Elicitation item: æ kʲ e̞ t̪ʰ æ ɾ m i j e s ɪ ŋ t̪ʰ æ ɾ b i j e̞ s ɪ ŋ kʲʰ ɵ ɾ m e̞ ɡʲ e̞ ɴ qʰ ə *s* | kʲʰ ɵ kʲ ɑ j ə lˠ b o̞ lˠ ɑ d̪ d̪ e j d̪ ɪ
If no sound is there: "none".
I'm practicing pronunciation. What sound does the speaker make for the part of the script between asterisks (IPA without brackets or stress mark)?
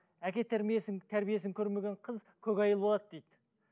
z